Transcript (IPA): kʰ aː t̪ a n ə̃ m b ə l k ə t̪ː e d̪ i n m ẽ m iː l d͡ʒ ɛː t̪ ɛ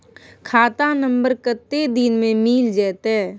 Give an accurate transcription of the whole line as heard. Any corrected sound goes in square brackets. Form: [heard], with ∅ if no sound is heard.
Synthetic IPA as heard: kʰ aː t̪ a n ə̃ m b ə [ɾ] k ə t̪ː e d̪ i n m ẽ m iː l d͡ʒ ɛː t̪ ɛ